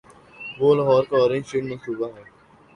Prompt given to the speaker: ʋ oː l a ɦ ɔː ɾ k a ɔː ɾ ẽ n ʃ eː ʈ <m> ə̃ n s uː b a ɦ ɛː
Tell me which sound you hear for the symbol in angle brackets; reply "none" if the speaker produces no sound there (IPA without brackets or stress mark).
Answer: m